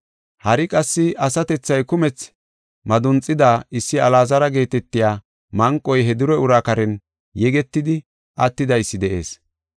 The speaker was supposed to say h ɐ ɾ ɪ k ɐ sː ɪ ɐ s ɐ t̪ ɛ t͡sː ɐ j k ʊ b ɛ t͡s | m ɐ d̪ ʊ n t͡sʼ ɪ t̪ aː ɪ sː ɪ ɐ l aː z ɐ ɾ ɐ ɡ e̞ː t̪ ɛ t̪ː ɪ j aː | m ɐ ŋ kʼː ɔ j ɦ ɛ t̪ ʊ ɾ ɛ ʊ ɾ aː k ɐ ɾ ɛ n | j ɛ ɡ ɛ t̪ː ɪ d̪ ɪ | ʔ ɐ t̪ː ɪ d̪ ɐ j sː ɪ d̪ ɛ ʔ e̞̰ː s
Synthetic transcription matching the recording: h ɐ ɾ ɪ kʼ ɐ sː ɪ ɐ s ɐ t̪ ɛ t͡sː ɐ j k ʊ m ɛ t͡s | m ɐ d̪ ʊ n t͡sʼ ɪ d̪ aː ɪ sː ɪ ɐ l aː z ɐ ɾ ɐ ɡ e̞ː t̪ ɛ t̪ː ɪ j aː | m ɐ ŋ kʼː ɔ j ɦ ɛ d̪ ʊ ɾ ɛ ʊ ɾ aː k ɐ ɾ ɛ n | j ɛ ɡ ɛ t̪ː ɪ d̪ ɪ | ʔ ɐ t̪ː ɪ d̪ ɐ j sː ɪ d̪ ɛ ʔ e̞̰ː s